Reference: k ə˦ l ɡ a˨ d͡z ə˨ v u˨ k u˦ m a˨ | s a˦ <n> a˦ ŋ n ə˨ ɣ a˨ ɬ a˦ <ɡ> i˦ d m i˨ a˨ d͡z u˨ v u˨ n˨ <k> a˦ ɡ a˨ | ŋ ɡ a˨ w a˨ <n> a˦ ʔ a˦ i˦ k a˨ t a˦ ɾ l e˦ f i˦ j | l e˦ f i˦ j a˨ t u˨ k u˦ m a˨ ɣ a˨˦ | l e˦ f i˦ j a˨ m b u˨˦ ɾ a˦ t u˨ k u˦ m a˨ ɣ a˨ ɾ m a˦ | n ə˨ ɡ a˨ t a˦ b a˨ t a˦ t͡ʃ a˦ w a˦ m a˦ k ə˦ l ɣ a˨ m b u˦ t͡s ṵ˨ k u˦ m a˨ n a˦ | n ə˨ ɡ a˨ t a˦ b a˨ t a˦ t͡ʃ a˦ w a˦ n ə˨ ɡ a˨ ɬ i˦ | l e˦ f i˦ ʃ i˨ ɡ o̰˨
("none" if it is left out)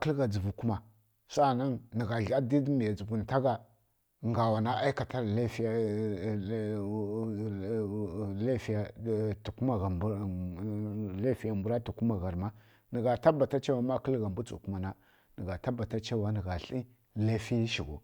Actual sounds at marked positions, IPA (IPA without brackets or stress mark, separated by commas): n, d, t, n